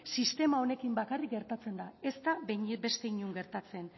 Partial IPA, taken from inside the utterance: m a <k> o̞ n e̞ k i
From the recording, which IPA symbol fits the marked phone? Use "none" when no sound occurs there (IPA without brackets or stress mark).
none